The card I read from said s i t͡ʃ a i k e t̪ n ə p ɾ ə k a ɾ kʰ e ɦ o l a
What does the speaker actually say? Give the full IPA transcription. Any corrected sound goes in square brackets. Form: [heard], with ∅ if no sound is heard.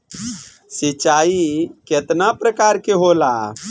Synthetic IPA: s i t͡ʃ a i k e t̪ n [a] p ɾ ə k a ɾ [k] e ɦ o l a